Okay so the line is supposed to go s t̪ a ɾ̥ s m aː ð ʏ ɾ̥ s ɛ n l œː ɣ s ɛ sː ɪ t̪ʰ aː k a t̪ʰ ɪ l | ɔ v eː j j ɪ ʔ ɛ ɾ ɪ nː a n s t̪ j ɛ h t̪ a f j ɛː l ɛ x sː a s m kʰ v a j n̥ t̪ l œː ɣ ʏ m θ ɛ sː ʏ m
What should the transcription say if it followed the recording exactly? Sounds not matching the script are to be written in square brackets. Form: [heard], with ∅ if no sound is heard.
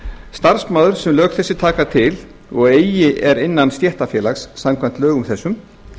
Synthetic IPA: s t̪ a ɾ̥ s m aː ð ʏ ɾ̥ s ɛ [m] l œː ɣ [θ] ɛ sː ɪ t̪ʰ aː k a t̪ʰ ɪ l | ɔ [ɣ] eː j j ɪ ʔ ɛ ɾ ɪ nː a n s t̪ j ɛ h t̪ a f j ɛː l [a] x sː a [∅] m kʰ v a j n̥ t̪ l œː ɣ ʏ m θ ɛ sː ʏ m